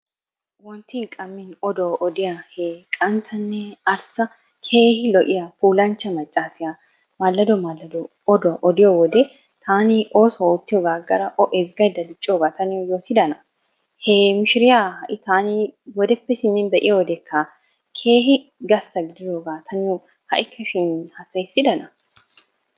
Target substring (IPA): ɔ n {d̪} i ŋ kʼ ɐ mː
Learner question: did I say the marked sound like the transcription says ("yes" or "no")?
no